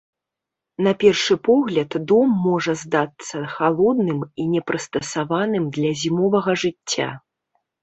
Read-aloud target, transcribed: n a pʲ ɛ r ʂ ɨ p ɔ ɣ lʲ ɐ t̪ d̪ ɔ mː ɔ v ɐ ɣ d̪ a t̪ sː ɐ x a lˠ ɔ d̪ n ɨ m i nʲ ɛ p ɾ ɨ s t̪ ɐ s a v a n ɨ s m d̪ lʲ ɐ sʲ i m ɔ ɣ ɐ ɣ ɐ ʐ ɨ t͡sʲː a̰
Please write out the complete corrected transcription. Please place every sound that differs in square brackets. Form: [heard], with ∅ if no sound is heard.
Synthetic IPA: n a pʲ ɛ r ʂ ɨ p ɔ ɣ lʲ ɐ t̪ d̪ ɔ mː ɔ [ʐ] ɐ [z] d̪ a t̪ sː ɐ x a lˠ ɔ d̪ n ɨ m i nʲ ɛ p ɾ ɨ s t̪ ɐ s a v a n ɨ [∅] m d̪ lʲ ɐ [zʲ] i m ɔ [v] ɐ ɣ ɐ ʐ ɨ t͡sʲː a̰

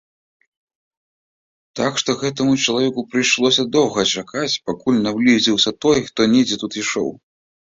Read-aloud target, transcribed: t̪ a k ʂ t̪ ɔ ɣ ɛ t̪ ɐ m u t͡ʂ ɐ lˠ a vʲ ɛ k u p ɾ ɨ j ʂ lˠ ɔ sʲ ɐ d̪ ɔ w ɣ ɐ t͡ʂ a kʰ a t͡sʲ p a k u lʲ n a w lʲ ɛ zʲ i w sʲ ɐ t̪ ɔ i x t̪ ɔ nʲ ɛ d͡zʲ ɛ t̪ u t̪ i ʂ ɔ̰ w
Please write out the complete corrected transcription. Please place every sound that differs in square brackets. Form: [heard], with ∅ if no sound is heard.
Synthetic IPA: t̪ a k ʂ t̪ ɔ ɣ ɛ t̪ ɐ m u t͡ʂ ɐ lˠ a vʲ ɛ k u p ɾ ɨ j ʂ lˠ ɔ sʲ ɐ d̪ ɔ w ɣ ɐ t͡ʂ a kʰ a t͡sʲ p a k u lʲ n a w lʲ [i] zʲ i w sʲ ɐ t̪ ɔ [j] x t̪ ɔ nʲ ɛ d͡zʲ ɛ t̪ u t̪ i ʂ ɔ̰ w

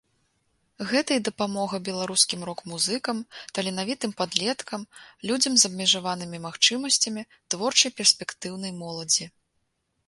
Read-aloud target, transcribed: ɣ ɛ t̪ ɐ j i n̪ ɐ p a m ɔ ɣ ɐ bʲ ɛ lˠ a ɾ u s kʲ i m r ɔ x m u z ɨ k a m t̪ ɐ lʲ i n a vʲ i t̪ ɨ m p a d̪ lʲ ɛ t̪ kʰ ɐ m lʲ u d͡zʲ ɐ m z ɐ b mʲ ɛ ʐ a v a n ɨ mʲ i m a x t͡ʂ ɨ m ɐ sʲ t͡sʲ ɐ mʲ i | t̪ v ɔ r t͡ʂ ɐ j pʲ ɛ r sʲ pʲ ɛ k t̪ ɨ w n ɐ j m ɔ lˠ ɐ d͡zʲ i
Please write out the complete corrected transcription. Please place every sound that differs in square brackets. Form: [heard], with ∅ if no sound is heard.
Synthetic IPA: ɣ ɛ t̪ ɐ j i [d̪] ɐ p a m ɔ ɣ ɐ bʲ ɛ lˠ a ɾ u s kʲ i m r ɔ [k] m u z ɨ k [ɐ] m t̪ ɐ lʲ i n a vʲ i t̪ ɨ m p a d̪ lʲ ɛ t̪ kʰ ɐ m lʲ u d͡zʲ ɐ m z ɐ b mʲ ɛ ʐ a v a n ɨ mʲ i m a x t͡ʂ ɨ m ɐ sʲ t͡sʲ ɐ mʲ i | t̪ v ɔ r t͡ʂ ɐ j pʲ ɛ r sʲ pʲ ɛ k t̪ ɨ w n ɐ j m ɔ lˠ ɐ d͡zʲ i

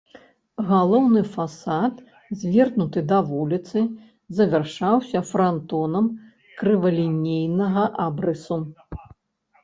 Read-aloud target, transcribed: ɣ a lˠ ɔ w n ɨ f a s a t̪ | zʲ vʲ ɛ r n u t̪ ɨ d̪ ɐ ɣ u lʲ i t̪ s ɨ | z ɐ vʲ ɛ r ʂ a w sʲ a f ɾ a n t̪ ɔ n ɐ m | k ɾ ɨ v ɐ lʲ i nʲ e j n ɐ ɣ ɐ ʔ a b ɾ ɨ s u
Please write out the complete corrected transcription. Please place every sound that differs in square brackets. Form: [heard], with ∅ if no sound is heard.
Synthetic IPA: ɣ a lˠ ɔ w n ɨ f a s a t̪ | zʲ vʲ ɛ r n u t̪ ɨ d̪ ɐ [v] u lʲ i t̪ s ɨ | z ɐ vʲ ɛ r ʂ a w sʲ [ɐ] f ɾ a n t̪ ɔ n ɐ m | k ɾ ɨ v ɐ lʲ i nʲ e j n ɐ ɣ ɐ ʔ a b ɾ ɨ s u

